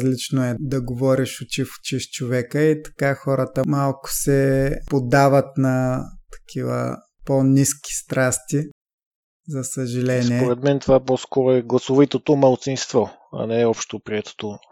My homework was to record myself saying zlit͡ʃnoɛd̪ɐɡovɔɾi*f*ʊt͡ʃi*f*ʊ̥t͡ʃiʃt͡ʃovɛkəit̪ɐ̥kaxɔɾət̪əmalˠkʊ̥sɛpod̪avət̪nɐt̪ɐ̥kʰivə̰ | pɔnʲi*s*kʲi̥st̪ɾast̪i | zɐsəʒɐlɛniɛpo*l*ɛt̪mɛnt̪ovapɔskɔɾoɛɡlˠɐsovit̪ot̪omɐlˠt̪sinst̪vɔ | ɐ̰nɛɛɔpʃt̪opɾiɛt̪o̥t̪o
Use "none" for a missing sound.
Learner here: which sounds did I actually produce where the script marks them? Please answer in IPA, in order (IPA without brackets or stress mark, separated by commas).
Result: ʃ, f, s, ɾ